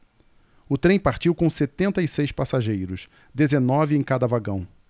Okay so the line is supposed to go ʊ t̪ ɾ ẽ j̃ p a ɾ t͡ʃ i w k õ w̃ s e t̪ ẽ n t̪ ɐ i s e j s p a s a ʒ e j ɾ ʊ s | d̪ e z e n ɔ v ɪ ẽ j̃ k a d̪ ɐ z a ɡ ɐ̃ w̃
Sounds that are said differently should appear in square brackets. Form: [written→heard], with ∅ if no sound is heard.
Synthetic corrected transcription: ʊ t̪ ɾ ẽ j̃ p a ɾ t͡ʃ i w k õ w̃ s e t̪ ẽ n t̪ ɐ i s e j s p a s a ʒ e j ɾ ʊ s | d̪ e z e n ɔ v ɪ ẽ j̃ k a d̪ ɐ [z→v] a ɡ ɐ̃ w̃